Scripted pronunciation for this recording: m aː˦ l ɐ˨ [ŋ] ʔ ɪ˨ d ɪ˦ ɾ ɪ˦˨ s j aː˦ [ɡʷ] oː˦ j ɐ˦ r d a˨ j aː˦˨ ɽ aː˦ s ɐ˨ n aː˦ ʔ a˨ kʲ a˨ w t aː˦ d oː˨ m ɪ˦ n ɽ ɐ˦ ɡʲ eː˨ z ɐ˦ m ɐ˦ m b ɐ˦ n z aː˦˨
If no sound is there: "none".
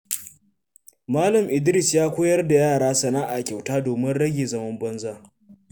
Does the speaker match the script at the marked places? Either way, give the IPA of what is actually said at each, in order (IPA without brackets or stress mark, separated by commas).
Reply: m, kʷ